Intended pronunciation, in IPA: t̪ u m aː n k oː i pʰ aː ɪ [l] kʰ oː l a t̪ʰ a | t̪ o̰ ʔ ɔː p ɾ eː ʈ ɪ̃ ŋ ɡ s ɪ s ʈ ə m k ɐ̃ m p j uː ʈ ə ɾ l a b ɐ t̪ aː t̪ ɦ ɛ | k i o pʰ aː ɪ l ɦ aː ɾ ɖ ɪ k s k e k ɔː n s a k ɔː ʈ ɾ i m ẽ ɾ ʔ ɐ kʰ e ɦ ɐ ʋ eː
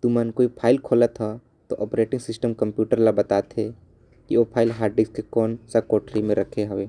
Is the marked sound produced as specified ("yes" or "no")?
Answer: yes